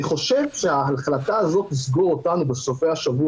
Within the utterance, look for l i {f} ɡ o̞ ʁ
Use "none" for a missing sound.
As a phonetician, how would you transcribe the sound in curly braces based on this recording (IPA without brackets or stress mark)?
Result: s